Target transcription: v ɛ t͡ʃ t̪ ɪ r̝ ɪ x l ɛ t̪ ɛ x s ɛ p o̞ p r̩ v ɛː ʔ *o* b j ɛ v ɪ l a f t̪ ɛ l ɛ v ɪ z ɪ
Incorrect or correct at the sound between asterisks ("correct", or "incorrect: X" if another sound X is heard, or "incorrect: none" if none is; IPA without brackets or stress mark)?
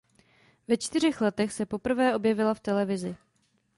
correct